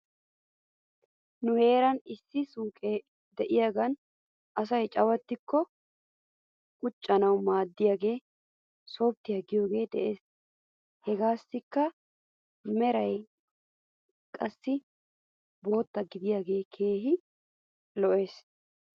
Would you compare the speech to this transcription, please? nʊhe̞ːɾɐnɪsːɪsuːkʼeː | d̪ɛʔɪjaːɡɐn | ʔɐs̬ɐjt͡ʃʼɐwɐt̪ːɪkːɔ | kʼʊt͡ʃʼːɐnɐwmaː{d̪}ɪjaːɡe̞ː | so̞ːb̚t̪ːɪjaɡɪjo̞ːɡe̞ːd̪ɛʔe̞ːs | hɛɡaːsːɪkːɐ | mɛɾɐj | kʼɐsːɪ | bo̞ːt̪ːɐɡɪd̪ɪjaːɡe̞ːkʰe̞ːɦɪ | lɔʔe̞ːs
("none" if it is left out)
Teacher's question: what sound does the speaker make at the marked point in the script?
d̪ː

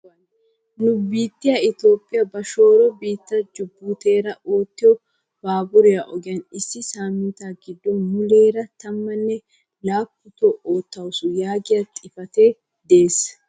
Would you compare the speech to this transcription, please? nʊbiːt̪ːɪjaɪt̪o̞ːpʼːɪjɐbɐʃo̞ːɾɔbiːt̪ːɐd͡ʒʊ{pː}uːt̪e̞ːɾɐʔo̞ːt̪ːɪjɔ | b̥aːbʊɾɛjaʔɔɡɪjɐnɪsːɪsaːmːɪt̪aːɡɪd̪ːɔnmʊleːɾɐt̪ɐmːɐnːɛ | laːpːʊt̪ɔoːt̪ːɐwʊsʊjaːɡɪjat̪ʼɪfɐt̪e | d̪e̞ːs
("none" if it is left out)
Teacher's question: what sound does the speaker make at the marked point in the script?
bː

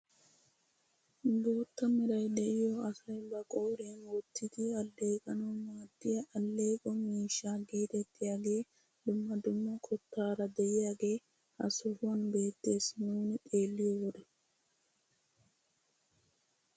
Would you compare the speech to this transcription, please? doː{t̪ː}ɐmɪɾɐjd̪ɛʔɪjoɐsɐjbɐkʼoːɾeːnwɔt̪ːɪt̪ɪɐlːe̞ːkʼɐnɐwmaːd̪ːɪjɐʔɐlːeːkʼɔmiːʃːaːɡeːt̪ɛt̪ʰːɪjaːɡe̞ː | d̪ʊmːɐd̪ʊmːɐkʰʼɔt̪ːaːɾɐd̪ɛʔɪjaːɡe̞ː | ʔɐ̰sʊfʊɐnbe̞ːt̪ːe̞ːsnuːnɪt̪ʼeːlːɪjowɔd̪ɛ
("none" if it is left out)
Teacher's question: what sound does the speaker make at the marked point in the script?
t̪ː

